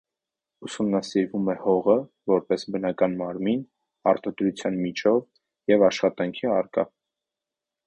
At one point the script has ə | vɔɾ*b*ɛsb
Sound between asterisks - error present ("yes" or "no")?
yes